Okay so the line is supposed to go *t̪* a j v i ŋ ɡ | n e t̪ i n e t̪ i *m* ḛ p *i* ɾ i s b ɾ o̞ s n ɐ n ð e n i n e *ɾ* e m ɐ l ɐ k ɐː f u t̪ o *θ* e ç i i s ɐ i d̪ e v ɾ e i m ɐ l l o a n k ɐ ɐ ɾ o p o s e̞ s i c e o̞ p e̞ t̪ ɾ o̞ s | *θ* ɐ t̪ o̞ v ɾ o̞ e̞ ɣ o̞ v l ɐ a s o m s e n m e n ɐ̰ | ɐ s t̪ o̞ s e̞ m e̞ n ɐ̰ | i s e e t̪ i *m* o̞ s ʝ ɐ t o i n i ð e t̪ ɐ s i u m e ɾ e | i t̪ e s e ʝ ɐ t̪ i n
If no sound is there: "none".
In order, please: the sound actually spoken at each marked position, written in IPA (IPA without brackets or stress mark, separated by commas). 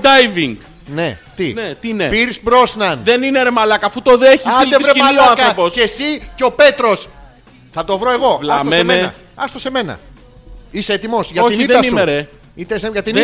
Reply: d̪, n, i, ɾ, ð, θ, m